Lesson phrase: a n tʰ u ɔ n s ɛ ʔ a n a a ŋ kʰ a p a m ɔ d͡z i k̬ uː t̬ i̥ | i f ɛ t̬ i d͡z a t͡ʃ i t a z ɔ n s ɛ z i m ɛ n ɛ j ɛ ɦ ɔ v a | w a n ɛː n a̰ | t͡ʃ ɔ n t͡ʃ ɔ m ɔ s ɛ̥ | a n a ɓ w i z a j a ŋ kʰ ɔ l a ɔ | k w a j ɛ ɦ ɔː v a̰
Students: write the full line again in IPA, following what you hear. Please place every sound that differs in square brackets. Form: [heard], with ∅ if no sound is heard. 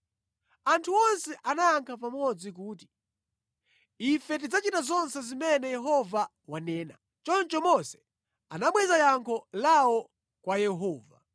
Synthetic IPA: a n tʰ u ɔ n s ɛ ʔ a n a a ŋ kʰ a p a m ɔ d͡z i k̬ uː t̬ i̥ | i f ɛ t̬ i d͡z a t͡ʃ i t a z ɔ n s ɛ z i m ɛ n ɛ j ɛ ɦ ɔ v a | w a n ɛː n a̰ | t͡ʃ ɔ n t͡ʃ ɔ m ɔ s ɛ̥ | a n a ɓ w [ɛ] z a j a ŋ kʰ ɔ l a ɔ | k w a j ɛ ɦ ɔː v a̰

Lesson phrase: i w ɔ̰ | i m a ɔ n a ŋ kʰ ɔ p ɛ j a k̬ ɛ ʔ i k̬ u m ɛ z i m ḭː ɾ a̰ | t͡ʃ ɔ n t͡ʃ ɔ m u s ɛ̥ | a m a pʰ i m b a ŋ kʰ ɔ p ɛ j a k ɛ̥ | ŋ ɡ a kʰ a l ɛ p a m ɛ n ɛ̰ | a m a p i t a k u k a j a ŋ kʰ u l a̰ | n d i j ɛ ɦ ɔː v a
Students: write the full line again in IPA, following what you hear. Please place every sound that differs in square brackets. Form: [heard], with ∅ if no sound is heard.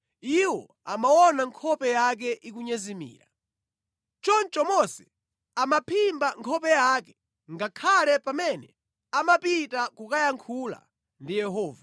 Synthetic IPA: i w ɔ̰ | [a] m a ɔ n a ŋ kʰ ɔ p ɛ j a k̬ ɛ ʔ i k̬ u [ɲ] ɛ z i m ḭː ɾ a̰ | t͡ʃ ɔ n t͡ʃ ɔ m [ɔ] s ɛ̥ | a m a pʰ i m b a ŋ kʰ ɔ p ɛ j a k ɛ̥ | ŋ ɡ a kʰ a l ɛ p a m ɛ n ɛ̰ | a m a p i t a k u k a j a ŋ kʰ u l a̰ | n d i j ɛ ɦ ɔː v a

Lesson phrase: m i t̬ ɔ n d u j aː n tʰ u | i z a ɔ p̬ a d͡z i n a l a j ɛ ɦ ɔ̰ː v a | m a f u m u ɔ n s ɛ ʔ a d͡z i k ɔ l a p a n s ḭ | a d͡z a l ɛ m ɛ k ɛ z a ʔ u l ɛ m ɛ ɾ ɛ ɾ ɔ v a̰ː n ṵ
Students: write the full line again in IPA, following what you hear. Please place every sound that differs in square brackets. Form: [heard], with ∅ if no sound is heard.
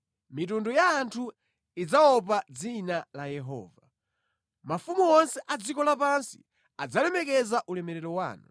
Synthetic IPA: m i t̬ [u] n d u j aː n tʰ u | i [d͡z] a ɔ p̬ a d͡z i n a l a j ɛ ɦ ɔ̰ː v a | m a f u m u ɔ n s ɛ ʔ a d͡z i k ɔ l a p a n s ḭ | a d͡z a l ɛ m ɛ k ɛ z a ʔ u l ɛ m ɛ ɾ ɛ ɾ ɔ [w] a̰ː n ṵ

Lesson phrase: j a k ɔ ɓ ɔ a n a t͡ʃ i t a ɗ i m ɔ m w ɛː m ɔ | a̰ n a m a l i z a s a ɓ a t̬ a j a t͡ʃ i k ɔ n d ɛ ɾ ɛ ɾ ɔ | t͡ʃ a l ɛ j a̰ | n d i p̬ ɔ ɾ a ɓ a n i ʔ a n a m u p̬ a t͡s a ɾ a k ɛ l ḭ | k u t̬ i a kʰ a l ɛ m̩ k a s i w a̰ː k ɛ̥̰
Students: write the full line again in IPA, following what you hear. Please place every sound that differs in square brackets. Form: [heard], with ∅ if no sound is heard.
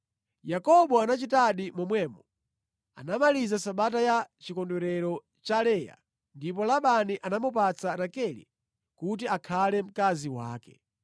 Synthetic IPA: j a k ɔ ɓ ɔ a n a t͡ʃ i t a ɗ i m ɔ m w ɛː m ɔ | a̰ n a m a l i z a s a ɓ a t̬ a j a t͡ʃ i k ɔ n d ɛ ɾ ɛ ɾ ɔ | t͡ʃ a l ɛ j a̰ | n d i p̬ ɔ [l] a ɓ a n i ʔ a n a m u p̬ a t͡s a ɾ a k ɛ l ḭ | k u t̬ i a kʰ a l ɛ m̩ k a [z] i w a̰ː k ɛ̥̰

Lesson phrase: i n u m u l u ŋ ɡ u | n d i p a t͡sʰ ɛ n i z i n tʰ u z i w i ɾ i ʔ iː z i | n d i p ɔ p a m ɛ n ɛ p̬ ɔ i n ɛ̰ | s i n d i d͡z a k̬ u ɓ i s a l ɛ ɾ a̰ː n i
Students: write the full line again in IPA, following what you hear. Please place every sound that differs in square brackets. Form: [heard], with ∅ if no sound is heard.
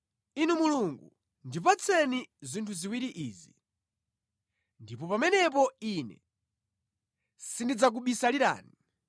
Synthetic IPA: i n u m u l u ŋ ɡ u | n d i p a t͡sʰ ɛ n i z i n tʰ u z i w i ɾ i ʔ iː z i | n d i p ɔ p a m ɛ n ɛ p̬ ɔ i n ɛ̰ | s i n d i d͡z a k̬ u ɓ i s a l [i] ɾ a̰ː n i

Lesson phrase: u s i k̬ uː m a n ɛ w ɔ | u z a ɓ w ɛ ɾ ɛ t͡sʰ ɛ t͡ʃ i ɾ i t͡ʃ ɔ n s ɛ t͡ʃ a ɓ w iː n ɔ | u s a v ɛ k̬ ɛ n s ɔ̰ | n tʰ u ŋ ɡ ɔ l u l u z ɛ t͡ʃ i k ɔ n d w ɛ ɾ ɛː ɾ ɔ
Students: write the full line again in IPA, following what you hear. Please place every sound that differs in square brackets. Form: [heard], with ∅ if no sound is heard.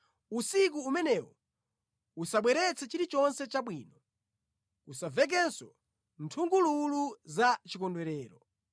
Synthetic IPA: u s i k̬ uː m [ɛ] n ɛ w ɔ | u [s] a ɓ w ɛ ɾ ɛ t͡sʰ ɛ t͡ʃ i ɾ i t͡ʃ ɔ n s ɛ t͡ʃ a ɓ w iː n ɔ | u s a v ɛ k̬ ɛ n s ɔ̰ | n tʰ u ŋ ɡ [u] l u l u z [a] t͡ʃ i k ɔ n d w ɛ ɾ ɛː ɾ ɔ

